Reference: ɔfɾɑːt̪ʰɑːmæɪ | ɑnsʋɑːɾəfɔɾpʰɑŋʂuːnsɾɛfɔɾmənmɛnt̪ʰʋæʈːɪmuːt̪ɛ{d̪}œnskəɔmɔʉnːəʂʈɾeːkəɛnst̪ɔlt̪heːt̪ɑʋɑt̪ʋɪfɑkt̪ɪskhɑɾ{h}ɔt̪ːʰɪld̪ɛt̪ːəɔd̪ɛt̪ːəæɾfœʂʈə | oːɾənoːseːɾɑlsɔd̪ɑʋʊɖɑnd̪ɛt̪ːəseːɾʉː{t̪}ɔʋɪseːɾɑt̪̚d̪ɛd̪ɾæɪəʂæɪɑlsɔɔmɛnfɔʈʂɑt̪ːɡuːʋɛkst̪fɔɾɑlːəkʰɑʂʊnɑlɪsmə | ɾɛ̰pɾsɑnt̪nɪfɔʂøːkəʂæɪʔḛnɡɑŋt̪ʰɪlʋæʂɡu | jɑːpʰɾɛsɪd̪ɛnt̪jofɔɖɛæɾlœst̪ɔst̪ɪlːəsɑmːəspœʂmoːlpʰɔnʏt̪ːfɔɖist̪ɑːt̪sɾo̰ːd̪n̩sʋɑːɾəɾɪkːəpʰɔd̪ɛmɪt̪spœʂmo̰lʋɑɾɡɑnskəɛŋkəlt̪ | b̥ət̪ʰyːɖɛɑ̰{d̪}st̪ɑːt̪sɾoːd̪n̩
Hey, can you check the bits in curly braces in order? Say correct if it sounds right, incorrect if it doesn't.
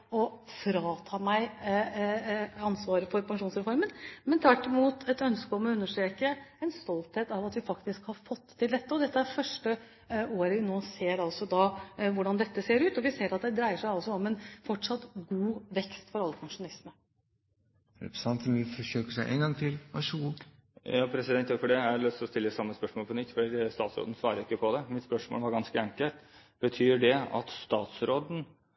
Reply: incorrect, incorrect, correct, incorrect

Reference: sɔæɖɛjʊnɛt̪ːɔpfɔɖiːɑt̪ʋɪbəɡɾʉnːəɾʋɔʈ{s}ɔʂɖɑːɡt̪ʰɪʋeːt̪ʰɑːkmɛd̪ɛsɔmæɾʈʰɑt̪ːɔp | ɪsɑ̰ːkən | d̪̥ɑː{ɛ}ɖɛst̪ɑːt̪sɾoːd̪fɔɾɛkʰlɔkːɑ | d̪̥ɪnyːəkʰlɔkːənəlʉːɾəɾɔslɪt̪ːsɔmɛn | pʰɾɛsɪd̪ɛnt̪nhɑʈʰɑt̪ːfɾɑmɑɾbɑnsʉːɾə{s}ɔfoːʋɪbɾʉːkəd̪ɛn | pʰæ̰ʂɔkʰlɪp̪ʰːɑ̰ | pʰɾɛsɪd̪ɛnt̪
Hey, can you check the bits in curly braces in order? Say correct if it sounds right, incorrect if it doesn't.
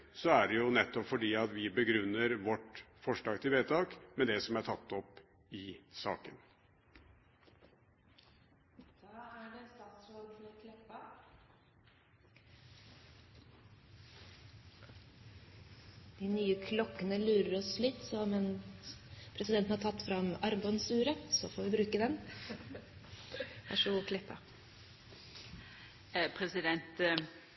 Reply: incorrect, incorrect, correct

